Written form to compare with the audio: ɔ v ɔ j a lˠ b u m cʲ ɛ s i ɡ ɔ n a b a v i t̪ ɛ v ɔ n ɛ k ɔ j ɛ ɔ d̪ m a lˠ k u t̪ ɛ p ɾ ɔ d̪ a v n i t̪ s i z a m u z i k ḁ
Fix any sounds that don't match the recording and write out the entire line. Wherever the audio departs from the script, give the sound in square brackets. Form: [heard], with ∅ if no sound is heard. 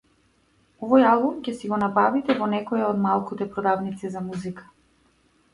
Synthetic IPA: ɔ v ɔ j a lˠ b u m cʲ ɛ s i ɡ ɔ n a b a v i t̪ ɛ v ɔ n ɛ k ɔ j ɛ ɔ d̪ m a lˠ k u t̪ ɛ p ɾ ɔ d̪ a v n i t̪ s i z a m u z i k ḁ